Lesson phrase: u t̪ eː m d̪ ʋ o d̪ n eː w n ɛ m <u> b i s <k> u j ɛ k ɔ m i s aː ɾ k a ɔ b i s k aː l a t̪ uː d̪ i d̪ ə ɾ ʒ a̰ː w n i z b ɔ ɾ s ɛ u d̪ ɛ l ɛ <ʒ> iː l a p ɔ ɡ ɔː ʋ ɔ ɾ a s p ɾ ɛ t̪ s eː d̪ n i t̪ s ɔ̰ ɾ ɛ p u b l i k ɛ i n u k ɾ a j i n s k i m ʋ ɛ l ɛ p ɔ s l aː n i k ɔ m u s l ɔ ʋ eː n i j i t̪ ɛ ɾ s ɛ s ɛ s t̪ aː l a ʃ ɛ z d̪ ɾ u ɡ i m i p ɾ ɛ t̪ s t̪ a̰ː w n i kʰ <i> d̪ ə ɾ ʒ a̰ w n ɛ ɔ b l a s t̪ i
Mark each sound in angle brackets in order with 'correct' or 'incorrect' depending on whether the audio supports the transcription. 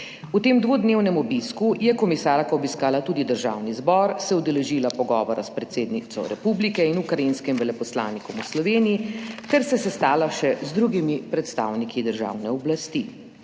incorrect: ɔ, correct, correct, correct

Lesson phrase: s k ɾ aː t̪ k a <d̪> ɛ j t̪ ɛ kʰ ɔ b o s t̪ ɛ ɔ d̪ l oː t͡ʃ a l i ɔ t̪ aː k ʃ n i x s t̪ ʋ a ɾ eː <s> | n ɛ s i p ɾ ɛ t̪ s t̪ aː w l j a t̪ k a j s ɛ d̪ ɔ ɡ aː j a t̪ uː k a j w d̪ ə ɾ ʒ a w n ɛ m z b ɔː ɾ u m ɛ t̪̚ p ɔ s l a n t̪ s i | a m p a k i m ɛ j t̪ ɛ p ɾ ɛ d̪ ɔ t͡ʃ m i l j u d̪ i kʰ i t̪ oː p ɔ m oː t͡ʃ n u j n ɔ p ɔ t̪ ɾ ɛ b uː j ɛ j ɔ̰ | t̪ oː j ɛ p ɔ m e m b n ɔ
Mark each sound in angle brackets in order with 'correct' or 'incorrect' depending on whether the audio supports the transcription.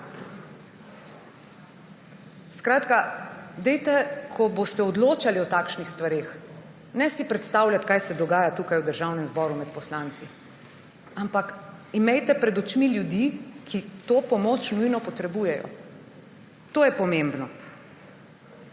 correct, incorrect: x

